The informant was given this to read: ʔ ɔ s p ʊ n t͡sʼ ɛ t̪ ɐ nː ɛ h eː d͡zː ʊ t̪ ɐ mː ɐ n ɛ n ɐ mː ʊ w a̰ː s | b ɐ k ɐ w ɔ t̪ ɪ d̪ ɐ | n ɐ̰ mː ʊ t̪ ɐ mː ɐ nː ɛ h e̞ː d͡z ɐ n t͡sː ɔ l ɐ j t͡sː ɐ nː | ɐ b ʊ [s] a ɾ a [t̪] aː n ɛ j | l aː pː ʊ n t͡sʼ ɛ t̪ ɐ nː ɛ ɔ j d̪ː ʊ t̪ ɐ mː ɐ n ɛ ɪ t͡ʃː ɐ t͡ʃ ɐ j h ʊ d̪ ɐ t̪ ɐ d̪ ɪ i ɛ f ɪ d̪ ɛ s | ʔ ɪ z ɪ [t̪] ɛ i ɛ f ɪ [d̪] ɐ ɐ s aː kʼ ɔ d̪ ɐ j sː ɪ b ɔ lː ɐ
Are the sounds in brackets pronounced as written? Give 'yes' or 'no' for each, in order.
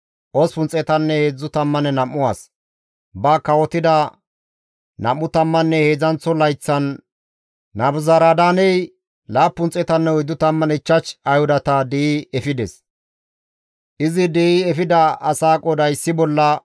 no, no, no, yes

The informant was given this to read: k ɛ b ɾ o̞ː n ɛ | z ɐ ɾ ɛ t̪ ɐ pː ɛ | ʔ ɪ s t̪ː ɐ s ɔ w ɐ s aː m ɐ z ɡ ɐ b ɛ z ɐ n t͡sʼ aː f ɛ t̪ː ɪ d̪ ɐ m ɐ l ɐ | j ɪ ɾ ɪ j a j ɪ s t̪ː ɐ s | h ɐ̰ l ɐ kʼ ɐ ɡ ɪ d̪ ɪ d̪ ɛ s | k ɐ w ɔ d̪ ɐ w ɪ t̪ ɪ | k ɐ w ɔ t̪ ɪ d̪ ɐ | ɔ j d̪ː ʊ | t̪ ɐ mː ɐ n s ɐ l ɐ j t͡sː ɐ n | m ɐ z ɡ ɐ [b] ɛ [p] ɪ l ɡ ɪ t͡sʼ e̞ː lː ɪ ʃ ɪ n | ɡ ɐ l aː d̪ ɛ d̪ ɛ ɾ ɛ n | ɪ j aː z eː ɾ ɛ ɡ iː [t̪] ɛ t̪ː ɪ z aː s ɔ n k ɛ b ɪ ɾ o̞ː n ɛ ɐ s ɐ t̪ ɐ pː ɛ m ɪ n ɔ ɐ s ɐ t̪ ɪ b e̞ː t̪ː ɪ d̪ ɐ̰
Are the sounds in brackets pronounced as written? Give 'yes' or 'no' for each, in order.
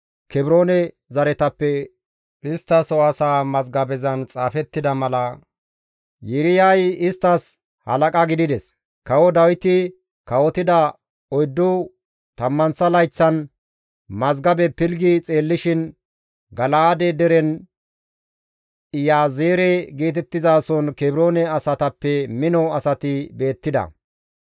yes, yes, yes

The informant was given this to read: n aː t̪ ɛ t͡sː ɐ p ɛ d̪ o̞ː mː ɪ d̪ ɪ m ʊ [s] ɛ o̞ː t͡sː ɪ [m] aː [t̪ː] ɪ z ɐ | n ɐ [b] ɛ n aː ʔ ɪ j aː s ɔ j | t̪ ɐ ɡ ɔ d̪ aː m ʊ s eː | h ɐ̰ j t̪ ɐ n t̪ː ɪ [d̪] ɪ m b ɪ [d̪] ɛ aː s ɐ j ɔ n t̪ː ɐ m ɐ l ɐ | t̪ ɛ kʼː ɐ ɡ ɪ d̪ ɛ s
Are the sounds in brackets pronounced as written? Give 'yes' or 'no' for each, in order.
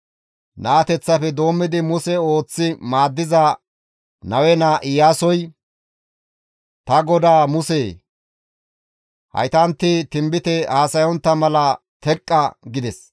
yes, yes, no, no, no, no

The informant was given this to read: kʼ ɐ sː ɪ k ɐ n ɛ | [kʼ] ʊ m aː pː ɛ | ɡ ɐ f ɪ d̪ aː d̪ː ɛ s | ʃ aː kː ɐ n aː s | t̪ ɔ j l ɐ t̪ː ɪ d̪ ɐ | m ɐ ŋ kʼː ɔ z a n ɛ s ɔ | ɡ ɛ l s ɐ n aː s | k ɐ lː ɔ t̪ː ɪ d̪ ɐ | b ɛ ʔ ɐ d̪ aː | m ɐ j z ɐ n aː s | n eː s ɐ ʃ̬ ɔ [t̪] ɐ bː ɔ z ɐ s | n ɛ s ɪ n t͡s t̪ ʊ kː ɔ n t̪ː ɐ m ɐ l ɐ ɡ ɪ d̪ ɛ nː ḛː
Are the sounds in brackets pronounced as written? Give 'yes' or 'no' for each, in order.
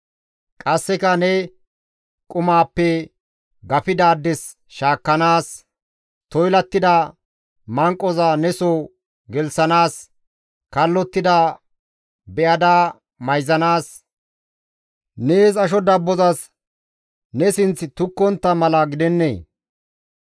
yes, no

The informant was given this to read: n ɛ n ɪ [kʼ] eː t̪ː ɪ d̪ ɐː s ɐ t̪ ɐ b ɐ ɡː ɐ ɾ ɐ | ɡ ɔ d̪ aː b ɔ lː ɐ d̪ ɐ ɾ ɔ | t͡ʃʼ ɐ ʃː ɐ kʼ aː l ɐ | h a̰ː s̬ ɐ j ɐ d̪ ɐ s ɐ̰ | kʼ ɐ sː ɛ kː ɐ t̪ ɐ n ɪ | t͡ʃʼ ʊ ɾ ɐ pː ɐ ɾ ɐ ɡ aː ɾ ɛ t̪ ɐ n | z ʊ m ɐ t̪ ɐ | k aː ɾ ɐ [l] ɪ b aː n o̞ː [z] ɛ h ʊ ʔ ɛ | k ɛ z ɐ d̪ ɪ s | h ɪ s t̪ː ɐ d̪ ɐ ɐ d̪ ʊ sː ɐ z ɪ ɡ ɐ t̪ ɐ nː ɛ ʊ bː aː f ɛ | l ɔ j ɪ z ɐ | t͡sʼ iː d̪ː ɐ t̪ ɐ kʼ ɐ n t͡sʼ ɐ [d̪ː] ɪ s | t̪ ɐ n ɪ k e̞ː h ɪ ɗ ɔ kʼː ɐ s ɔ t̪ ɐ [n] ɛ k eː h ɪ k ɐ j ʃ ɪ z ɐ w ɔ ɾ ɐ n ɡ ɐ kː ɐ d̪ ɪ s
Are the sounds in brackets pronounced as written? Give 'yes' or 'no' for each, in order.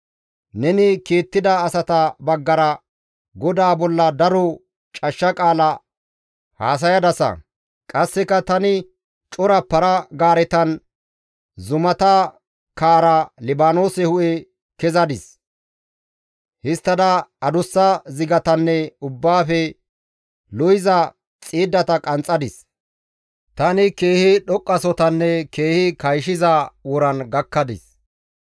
no, yes, no, no, no

